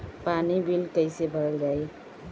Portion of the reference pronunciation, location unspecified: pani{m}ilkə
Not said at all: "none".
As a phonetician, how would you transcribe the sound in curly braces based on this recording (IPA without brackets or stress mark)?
b